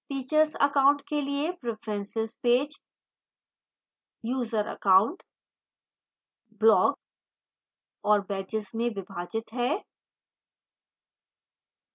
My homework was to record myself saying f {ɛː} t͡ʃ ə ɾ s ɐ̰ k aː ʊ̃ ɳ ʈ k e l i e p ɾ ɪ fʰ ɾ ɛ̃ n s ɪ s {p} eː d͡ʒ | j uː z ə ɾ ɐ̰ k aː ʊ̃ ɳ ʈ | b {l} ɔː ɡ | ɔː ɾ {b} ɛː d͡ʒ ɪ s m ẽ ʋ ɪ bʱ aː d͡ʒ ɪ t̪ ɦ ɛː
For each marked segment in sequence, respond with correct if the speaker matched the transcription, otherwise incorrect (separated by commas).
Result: incorrect, correct, correct, correct